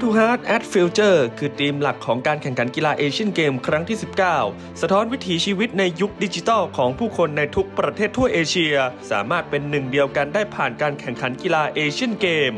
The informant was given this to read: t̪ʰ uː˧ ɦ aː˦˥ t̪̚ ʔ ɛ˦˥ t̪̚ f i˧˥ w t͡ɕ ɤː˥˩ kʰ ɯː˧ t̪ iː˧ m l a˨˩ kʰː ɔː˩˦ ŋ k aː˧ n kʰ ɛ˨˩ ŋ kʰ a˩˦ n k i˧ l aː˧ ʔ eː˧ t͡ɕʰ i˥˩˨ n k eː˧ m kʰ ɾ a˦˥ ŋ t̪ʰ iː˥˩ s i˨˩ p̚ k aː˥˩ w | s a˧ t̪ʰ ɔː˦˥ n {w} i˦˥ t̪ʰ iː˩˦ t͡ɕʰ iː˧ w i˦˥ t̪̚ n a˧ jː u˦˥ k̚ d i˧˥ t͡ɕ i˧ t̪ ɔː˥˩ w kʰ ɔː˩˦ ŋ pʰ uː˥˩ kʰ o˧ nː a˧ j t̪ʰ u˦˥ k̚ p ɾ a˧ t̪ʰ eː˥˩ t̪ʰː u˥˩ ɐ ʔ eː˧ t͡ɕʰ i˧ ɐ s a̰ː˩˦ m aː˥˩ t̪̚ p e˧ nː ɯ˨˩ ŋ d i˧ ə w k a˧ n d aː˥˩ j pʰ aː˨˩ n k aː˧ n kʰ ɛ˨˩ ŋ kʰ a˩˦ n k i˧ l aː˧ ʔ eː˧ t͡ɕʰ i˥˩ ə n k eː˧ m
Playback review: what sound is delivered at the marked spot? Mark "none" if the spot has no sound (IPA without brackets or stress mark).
w